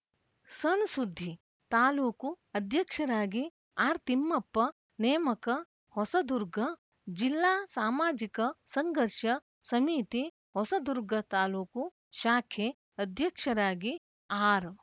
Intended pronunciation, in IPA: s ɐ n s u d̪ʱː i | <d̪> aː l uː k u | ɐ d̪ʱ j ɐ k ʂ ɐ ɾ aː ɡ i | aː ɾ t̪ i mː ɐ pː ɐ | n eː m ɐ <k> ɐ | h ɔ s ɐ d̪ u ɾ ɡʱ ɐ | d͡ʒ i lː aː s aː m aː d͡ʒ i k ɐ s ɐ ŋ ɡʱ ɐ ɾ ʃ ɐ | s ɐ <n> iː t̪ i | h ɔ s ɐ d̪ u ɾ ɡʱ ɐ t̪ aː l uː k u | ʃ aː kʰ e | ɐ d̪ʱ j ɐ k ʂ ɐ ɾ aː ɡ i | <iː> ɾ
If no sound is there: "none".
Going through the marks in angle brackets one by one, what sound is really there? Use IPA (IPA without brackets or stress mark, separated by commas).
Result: t̪, k, m, aː